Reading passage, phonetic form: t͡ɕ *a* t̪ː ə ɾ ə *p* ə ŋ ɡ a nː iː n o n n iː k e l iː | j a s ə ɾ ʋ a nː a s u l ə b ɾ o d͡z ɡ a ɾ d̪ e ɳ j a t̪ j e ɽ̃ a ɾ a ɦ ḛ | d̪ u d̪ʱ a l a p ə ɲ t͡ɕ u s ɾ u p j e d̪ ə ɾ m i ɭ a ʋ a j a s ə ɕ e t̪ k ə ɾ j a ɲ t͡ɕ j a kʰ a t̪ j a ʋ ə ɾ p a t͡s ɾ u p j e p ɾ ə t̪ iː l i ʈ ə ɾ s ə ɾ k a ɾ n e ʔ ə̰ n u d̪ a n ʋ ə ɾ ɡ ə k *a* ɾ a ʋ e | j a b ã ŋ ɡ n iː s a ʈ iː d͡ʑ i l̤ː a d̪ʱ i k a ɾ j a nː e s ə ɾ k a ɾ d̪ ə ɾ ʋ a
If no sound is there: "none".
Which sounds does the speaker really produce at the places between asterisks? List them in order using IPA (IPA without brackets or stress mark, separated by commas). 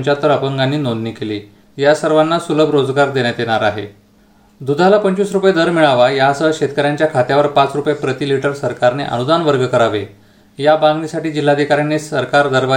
a, p, ə